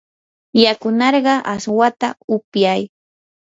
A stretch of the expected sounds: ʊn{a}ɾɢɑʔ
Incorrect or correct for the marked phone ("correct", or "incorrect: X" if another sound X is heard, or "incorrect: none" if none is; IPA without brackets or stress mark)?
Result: incorrect: ɑ